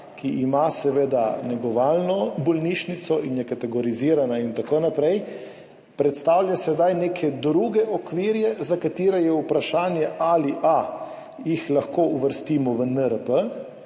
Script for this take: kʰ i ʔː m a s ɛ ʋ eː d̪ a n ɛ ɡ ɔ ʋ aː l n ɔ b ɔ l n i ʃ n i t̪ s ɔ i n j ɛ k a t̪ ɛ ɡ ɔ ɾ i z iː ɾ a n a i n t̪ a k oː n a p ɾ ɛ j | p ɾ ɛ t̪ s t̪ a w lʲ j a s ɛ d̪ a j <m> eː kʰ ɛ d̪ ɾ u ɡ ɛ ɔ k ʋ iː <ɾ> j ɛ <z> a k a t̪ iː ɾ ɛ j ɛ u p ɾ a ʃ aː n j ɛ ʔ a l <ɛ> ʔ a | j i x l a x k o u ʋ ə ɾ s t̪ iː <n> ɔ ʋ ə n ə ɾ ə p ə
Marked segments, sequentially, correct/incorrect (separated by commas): incorrect, correct, correct, incorrect, incorrect